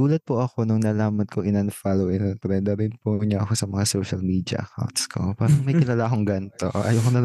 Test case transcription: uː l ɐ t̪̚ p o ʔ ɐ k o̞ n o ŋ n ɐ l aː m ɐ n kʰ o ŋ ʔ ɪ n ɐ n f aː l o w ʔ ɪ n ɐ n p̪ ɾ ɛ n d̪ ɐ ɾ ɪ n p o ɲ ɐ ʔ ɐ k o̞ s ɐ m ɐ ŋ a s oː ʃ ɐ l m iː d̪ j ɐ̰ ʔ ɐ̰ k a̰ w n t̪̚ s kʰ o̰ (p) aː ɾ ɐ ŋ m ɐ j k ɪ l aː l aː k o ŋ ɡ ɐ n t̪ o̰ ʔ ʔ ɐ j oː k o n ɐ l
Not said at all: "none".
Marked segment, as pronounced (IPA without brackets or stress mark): p